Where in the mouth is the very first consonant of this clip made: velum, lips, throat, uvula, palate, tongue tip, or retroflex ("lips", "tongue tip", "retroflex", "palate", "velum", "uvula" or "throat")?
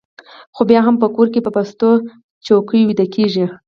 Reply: velum